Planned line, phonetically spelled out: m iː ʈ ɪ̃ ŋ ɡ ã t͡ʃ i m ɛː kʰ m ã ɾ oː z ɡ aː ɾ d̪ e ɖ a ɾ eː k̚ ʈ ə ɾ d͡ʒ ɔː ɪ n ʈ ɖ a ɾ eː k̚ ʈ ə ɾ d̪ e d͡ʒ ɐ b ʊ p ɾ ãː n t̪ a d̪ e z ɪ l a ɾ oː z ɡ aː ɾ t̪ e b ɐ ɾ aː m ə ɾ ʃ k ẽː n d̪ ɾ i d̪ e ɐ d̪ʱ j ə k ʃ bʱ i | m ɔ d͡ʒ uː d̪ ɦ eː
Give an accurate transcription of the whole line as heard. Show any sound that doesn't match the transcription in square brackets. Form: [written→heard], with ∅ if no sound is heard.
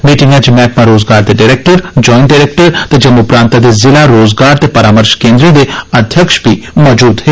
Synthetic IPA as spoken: m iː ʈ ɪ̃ ŋ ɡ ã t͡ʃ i m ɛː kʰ m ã ɾ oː z ɡ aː ɾ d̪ e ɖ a ɾ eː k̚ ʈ ə ɾ d͡ʒ ɔː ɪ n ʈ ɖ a ɾ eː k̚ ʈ ə ɾ [d̪→t̪] e d͡ʒ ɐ [b→m] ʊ p ɾ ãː n t̪ a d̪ e z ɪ l a ɾ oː z ɡ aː ɾ t̪ e [b→p] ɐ ɾ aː m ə ɾ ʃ k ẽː n d̪ ɾ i d̪ e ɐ d̪ʱ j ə k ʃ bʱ i | m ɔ d͡ʒ uː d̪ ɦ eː